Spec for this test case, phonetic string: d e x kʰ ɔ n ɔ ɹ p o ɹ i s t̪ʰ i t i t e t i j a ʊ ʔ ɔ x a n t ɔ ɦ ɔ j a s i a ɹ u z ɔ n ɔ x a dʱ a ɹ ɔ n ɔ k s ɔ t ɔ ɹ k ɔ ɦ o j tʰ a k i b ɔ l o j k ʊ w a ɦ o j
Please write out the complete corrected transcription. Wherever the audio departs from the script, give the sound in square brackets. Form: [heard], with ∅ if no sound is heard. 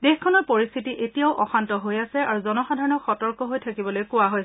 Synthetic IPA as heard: d e x kʰ ɔ n ɔ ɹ p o ɹ i s t̪ʰ i t i [ʔ] e t i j a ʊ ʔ ɔ x a n t ɔ ɦ [o] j a s [ɛ] a ɹ u z ɔ n ɔ x a dʱ a ɹ ɔ n ɔ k [x] ɔ t ɔ ɹ k ɔ ɦ o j tʰ a k i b ɔ l o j k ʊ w a ɦ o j